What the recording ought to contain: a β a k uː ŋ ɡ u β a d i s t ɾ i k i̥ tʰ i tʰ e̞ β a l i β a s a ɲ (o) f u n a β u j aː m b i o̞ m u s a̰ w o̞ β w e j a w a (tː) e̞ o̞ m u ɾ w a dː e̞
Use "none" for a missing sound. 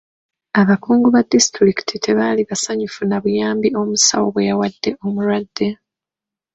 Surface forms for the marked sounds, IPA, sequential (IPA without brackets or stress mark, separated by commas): u, dː